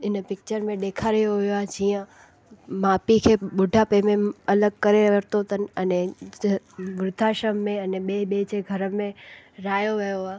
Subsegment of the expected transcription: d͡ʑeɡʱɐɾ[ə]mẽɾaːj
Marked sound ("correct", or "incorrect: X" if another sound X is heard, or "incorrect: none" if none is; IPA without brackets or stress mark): correct